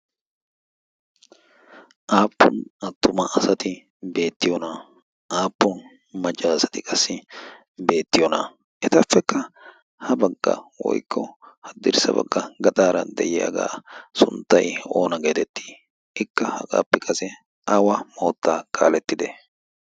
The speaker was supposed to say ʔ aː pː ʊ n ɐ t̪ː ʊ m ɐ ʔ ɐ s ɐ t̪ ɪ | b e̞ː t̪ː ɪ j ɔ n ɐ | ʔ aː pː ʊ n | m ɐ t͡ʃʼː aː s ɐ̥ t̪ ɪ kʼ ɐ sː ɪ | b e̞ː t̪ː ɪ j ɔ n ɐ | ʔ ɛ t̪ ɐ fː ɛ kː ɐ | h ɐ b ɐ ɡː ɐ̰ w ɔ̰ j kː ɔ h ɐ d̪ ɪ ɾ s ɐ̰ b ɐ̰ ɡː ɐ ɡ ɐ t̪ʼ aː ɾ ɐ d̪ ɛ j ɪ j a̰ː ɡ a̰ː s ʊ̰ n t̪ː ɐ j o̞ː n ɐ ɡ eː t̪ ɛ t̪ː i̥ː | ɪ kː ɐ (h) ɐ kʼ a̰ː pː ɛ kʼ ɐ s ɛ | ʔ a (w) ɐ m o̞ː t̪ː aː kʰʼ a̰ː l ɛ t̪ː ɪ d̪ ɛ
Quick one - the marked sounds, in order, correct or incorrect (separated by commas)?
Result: correct, correct